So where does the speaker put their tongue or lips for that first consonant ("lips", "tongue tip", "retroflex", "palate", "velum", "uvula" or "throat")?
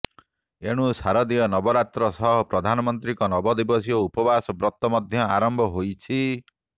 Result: retroflex